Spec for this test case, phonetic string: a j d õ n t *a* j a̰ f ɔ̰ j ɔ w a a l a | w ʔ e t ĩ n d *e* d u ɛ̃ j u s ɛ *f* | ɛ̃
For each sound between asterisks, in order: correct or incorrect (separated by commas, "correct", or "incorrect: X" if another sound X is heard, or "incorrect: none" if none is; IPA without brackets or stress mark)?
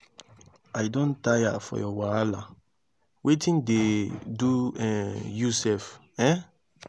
correct, correct, correct